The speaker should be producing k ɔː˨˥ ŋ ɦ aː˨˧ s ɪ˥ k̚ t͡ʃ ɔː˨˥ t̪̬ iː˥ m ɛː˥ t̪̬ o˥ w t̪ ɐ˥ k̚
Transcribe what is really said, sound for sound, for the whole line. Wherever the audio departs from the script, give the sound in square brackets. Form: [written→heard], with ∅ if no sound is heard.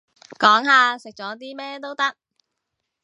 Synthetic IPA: k ɔː˨˥ ŋ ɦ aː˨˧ s [ɪ˥→ɪ˨] k̚ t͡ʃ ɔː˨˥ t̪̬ iː˥ m ɛː˥ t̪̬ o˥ w t̪ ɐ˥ k̚